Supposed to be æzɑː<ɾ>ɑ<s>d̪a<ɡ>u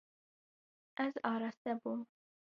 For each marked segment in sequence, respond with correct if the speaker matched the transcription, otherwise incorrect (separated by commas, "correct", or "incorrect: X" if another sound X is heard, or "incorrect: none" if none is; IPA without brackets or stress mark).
correct, correct, incorrect: b